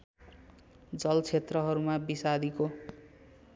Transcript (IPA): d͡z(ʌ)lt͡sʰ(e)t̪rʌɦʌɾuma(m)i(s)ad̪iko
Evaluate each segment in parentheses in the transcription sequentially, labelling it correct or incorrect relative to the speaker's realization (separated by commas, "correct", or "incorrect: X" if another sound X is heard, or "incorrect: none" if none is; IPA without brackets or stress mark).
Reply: correct, correct, incorrect: b, correct